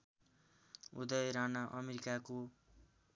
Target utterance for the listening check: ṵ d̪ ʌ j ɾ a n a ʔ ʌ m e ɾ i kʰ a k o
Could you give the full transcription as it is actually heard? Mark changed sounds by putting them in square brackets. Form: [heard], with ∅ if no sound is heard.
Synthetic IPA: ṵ d̪ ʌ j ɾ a n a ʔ ʌ m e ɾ i [k] a k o